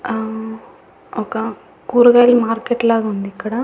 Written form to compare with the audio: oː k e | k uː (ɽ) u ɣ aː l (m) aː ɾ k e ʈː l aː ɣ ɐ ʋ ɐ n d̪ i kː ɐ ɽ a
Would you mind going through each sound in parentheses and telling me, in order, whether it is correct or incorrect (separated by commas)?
incorrect, correct